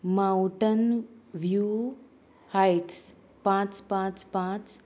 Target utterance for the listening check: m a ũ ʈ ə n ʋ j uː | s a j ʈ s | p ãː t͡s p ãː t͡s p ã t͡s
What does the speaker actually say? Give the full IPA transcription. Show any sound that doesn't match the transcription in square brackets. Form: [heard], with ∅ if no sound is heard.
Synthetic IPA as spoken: m a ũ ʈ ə n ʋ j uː | [h] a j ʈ s | p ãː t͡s p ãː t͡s p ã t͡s